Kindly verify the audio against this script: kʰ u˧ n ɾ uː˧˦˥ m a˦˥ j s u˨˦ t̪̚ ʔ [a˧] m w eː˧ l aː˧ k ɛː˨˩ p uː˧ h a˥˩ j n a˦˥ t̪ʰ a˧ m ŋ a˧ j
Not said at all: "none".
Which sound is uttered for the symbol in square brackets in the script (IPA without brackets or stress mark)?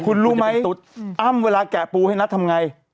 a˥˩